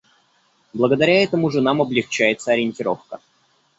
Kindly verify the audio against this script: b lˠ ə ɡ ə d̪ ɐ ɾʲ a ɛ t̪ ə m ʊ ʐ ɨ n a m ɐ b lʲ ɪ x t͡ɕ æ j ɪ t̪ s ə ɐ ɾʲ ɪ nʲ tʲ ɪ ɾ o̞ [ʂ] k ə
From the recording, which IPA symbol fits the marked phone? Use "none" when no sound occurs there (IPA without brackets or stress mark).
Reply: f